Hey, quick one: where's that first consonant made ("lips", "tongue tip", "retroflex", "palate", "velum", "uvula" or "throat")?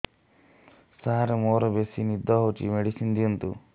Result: tongue tip